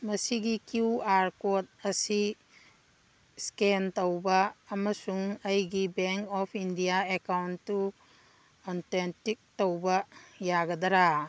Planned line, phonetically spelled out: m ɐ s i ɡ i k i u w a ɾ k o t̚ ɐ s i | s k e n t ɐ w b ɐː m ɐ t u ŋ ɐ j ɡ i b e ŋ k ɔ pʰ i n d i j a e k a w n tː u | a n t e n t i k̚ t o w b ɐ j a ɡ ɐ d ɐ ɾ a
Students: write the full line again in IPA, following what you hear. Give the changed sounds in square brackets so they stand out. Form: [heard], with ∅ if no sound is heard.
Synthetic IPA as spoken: m ɐ s i ɡ i k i u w a ɾ k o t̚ ɐ s i | s k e n t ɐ w b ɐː m ɐ [s] u ŋ ɐ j ɡ i b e ŋ k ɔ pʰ i n d i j a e k a w n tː u | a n t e n t i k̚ t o w b ɐ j a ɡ ɐ d ɐ ɾ a